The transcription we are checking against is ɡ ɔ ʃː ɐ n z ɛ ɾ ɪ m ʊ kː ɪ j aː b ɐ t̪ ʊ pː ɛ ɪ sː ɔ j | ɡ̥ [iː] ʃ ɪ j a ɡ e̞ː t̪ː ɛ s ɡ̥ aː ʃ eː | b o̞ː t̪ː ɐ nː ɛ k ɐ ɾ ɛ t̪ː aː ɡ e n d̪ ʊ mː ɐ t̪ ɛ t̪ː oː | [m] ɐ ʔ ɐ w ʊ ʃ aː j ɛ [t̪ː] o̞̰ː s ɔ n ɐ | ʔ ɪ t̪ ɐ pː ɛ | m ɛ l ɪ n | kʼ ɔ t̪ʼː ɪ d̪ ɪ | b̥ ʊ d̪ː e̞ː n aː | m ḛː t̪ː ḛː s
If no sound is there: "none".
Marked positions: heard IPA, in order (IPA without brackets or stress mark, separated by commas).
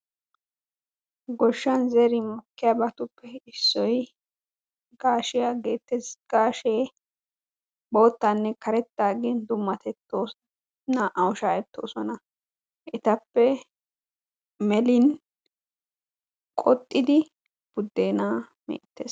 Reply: aː, n, t̪ː